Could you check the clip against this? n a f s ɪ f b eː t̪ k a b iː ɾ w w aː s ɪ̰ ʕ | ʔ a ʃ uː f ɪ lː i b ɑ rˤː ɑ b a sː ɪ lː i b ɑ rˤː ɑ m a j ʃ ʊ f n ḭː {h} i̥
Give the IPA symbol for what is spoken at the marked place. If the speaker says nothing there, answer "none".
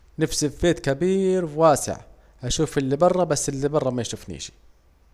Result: ʃ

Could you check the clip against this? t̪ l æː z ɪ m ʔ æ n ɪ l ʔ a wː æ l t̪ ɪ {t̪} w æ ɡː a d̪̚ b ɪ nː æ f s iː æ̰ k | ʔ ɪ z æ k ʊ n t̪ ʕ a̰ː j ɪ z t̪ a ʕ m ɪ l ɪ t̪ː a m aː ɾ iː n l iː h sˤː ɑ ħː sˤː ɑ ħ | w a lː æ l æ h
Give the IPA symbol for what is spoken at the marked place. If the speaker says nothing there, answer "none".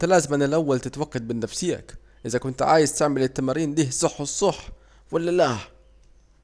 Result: t̪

